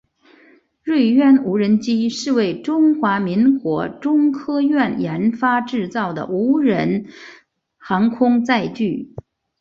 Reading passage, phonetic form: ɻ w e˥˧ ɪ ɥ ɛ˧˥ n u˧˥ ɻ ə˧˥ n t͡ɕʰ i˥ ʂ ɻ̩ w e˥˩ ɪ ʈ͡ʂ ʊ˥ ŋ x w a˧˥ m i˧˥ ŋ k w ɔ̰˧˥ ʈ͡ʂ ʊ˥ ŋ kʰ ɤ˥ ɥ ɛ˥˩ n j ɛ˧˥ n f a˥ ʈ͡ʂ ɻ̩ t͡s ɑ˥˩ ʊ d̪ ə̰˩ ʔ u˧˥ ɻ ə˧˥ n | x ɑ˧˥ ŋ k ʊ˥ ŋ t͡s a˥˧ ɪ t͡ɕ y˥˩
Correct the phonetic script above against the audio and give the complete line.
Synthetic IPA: ɻ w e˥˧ ɪ ɥ ɛ˥˩ n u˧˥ ɻ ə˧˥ n t͡ɕ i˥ ʂ ɻ̩ w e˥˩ ɪ ʈ͡ʂ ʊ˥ ŋ x w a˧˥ m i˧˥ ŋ k w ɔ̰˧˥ ʈ͡ʂ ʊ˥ ŋ kʰ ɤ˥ ɥ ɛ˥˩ n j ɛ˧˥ n f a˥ ʈ͡ʂ ɻ̩ t͡s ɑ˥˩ ʊ d̪ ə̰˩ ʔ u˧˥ ɻ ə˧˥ n | x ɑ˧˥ ŋ kʰ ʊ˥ ŋ t͡s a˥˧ ɪ t͡ɕ y˥˩